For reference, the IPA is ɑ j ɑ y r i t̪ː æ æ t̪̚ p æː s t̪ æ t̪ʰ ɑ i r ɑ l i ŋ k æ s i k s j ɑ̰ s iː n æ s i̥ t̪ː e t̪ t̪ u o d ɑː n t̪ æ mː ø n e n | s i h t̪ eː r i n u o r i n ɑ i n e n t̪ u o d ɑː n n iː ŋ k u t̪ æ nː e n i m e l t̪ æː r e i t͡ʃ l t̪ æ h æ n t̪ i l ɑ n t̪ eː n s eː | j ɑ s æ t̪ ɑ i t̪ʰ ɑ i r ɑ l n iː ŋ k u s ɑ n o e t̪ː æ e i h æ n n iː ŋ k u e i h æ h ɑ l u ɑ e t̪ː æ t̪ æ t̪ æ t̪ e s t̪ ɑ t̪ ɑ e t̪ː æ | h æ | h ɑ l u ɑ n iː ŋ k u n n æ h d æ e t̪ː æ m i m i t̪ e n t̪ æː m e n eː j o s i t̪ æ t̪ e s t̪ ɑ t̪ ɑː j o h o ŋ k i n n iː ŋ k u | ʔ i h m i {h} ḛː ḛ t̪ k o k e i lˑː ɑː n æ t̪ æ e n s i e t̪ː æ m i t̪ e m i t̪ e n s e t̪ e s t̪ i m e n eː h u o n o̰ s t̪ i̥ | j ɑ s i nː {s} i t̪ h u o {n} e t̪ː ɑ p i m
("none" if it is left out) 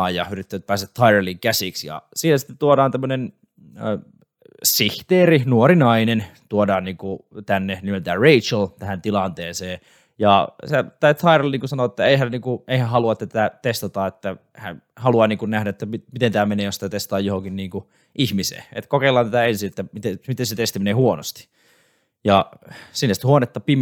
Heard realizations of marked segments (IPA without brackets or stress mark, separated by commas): s, s, n